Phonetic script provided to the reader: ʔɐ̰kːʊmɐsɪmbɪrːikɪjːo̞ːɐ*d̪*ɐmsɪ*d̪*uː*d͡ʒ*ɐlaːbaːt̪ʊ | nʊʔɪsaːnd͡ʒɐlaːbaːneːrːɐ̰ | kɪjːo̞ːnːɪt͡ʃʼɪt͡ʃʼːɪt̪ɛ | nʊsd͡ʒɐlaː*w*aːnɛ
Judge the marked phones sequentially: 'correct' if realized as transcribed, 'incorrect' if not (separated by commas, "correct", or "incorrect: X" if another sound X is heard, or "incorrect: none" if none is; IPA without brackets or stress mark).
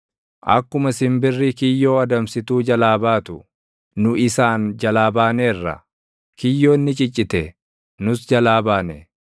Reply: correct, incorrect: t̪, correct, incorrect: b